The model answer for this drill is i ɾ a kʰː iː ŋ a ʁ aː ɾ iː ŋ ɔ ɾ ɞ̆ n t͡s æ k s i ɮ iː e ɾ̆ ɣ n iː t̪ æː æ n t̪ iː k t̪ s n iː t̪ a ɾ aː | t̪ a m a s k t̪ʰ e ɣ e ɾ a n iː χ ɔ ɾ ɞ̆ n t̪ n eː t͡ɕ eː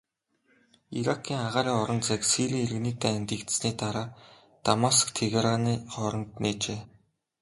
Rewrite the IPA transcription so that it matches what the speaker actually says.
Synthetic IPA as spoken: i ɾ a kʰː iː ŋ a ʁ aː ɾ iː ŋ ɔ ɾ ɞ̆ n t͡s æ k s i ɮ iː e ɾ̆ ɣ n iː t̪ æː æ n t̪ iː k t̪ s n iː t̪ a ɾ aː | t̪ a m a s k t̪ʰ e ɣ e ɾ a n iː χ ɔ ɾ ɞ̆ n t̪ n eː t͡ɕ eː

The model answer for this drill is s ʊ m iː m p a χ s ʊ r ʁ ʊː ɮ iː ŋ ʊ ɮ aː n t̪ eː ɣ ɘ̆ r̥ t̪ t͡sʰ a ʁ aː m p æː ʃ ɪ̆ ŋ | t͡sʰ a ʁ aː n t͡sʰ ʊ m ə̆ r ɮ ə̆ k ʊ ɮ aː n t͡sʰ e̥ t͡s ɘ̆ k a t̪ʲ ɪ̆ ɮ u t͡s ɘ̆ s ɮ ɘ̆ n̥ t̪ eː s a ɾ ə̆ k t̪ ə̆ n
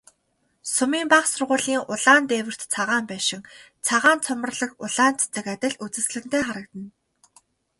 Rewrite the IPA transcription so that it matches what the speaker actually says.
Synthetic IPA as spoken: s ʊ m iː m p a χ s ʊ r ʁ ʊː ɮ iː ŋ ʊ ɮ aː n t̪ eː w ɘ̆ r̥ t̪ t͡sʰ a ʁ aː m p æː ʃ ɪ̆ ŋ | t͡sʰ a ʁ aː n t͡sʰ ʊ m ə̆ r ɮ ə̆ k ʊ ɮ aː n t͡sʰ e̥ t͡s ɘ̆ k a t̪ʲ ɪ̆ ɮ u t͡s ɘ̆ s ɮ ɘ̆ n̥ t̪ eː χ a ɾ ə̆ k t̪ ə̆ n

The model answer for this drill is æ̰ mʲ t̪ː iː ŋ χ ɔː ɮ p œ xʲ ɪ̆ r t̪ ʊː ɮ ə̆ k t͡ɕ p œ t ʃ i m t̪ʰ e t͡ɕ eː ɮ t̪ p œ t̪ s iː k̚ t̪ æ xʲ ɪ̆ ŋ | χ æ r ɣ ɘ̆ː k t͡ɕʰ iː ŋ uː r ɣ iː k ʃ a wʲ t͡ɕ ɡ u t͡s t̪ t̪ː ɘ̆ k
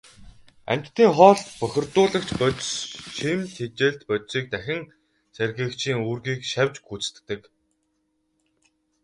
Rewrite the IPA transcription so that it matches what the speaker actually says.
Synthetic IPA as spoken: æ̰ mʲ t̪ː iː ŋ χ ɔː ɮ p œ xʲ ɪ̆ r t̪ ʊː ɮ ə̆ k t͡ɕ p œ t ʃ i m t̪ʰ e t͡ɕ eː ɮ t̪ p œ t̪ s iː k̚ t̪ æ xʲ ɪ̆ ŋ | s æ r ɣ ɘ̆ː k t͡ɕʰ iː ŋ uː r ɣ iː k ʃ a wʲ t͡ɕ ɡ u t͡s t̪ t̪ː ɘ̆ k

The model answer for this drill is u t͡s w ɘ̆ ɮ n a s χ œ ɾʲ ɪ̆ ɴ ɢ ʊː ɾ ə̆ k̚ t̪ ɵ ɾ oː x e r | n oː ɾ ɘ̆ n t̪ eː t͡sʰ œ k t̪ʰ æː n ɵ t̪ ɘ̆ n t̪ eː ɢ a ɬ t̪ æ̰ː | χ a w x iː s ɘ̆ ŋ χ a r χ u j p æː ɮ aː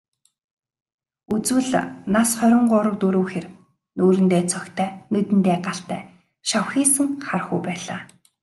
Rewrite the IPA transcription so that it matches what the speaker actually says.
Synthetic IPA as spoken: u t͡s w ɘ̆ ɮ n a s χ œ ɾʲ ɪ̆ ɴ ɢ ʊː ɾ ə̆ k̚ t̪ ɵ ɾ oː x e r | n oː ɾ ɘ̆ n t̪ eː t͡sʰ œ k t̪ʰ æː n ɵ t̪ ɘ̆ n t̪ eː ɢ a ɬ t̪ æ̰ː | ʃ a w x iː s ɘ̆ ŋ χ a r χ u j p æː ɮ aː

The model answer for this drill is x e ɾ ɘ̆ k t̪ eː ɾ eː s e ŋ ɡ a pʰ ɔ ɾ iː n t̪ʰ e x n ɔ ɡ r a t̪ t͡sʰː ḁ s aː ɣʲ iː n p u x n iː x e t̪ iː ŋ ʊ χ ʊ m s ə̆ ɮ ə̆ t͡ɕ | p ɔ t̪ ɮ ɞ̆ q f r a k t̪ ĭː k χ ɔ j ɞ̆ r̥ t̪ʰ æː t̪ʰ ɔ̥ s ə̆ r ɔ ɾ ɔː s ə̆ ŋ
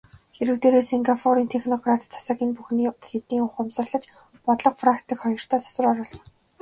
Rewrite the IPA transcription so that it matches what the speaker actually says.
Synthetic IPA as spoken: x e ɾ ɘ̆ k t̪ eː ɾ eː s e ŋ ɡ a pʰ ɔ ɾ iː n t̪ʰ e x n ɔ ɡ r a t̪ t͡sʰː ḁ s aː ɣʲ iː n p u x n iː x e t̪ iː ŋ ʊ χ ʊ m s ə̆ ɮ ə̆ t͡ɕ | p ɔ t̪ ɮ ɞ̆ q f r a k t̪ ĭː k χ ɔ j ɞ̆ r̥ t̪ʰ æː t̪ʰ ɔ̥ s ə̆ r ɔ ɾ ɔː s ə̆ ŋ

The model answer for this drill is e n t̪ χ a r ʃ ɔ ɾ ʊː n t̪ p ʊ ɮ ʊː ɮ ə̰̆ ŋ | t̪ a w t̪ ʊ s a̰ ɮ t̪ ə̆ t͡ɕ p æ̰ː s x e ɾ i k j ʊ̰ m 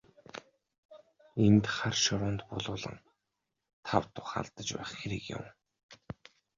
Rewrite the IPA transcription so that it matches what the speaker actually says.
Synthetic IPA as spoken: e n t̪ χ a r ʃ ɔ ɾ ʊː n t̪ p ʊ ɮ ʊː ɮ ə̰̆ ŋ | t̪ʰ a w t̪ ʊ χ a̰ ɮ t̪ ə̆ t͡ɕ p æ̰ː χ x e ɾ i k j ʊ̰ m

